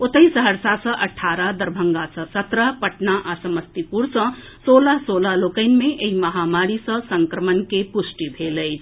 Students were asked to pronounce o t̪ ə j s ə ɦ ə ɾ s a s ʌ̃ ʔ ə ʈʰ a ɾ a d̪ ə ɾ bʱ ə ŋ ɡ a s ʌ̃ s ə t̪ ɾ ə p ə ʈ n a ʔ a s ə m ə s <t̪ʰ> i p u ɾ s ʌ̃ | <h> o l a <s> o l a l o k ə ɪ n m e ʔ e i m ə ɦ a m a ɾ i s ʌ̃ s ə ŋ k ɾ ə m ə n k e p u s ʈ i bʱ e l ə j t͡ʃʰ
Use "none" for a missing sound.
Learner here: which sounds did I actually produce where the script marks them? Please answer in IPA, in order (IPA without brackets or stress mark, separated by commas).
t̪, s, s